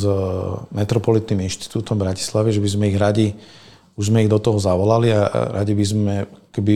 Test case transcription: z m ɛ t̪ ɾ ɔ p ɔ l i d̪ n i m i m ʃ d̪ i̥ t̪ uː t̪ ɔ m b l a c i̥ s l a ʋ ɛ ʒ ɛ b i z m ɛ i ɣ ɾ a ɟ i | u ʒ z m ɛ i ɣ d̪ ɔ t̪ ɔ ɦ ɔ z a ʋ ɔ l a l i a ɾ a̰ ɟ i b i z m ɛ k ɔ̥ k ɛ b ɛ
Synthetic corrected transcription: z m ɛ t̪ ɾ ɔ p ɔ l i t̪ n i m i n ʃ t̪ i̥ t̪ uː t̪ ɔ m b ɾ a c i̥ s l a ʋ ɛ ʒ ɛ b i z m ɛ i ɣ ɾ a ɟ i | u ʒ z m ɛ i ɣ d̪ ɔ t̪ ɔ ɦ ɔ z a ʋ ɔ l a l i a ɾ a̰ ɟ i b i z m ɛ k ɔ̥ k ɛ b i